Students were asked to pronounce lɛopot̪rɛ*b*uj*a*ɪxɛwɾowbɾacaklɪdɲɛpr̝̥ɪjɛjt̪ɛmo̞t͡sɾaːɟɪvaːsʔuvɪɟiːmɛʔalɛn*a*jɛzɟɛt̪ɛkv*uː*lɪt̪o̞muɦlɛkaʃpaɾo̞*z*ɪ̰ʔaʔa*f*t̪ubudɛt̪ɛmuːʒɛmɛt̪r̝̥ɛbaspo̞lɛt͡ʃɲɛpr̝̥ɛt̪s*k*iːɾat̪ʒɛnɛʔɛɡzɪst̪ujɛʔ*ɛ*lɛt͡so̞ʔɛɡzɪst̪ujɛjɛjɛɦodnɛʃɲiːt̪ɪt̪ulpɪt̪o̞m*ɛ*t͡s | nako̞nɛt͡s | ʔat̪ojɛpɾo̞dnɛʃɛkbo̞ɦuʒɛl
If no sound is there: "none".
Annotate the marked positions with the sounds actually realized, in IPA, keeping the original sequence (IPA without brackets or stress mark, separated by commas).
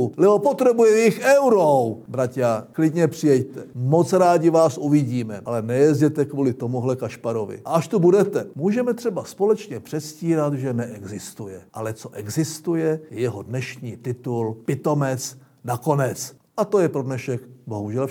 b, ɛ, ɛ, uː, v, ʃ, c, a, ɛ